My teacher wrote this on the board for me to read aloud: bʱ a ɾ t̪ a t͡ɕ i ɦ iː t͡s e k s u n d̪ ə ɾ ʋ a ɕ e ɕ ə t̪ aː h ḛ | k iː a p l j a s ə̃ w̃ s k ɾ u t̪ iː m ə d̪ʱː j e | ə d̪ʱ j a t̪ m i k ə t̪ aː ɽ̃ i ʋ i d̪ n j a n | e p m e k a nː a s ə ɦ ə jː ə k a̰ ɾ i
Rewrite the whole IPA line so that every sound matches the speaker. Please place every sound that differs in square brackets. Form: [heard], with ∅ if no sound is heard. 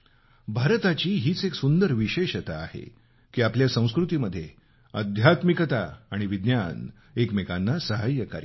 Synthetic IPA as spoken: bʱ a ɾ t̪ a t͡ɕ [iː] ɦ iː t͡s e k s u n d̪ ə ɾ ʋ [i] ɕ e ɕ ə t̪ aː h ḛ | k iː a p l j a s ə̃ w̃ s k ɾ u t̪ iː m ə d̪ʱː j e | ə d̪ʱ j a t̪ m i k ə t̪ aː ɽ̃ i ʋ i d̪ n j a n | e [k] m e k a nː a s ə ɦ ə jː ə k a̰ ɾ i